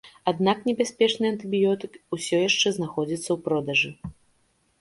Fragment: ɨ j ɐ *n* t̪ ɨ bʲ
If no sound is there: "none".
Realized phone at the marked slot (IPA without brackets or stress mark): n